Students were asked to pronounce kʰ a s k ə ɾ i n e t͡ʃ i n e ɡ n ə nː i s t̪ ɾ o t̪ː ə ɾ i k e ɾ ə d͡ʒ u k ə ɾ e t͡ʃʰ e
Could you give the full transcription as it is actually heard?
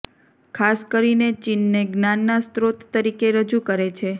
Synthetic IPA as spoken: kʰ a s k ə ɾ i n e t͡ʃ i nː e ɡ n a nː a s t̪ ɾ o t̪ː ə ɾ i k e ɾ ə d͡ʒ u k ə ɾ e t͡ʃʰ e